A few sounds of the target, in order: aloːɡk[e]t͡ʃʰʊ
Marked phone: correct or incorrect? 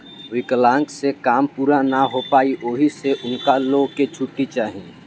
correct